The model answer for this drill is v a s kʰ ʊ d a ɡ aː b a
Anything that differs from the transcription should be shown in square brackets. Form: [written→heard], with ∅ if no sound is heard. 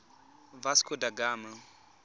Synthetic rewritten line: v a s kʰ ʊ d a ɡ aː [b→m] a